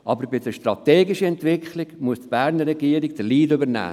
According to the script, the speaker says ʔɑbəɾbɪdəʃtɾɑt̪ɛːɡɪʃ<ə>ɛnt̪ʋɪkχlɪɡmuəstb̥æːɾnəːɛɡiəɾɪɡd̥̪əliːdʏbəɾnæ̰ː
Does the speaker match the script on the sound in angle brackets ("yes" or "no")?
yes